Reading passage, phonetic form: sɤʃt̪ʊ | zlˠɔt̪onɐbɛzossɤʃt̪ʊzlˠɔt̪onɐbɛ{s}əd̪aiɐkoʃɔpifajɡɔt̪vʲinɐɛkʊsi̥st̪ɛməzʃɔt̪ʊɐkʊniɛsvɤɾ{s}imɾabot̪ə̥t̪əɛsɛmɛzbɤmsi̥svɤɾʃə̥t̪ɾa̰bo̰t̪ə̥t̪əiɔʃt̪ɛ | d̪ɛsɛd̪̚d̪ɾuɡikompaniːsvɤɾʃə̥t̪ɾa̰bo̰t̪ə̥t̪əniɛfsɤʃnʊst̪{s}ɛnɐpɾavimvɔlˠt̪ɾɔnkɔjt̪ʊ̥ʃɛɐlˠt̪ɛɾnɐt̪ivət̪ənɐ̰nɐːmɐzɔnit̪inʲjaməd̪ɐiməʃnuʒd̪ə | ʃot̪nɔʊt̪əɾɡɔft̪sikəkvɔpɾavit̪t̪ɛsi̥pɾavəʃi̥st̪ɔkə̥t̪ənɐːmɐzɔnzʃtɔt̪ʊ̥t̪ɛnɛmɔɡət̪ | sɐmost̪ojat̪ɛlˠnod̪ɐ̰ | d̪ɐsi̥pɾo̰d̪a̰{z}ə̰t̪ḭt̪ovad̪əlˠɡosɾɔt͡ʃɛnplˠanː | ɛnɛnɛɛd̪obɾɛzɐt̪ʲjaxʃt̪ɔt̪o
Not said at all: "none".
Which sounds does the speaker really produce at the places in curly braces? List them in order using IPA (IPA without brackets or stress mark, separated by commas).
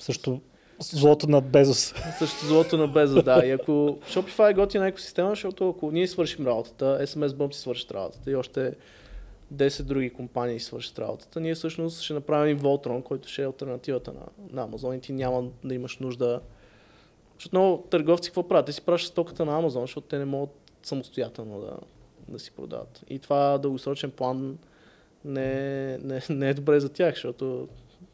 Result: z, ʃ, ʃ, v